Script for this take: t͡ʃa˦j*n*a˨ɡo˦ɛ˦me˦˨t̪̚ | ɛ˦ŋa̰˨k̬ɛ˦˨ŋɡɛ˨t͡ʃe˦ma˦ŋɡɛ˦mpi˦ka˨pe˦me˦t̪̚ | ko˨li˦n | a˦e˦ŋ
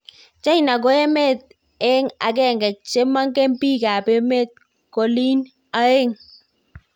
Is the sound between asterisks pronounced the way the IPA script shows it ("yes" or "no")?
yes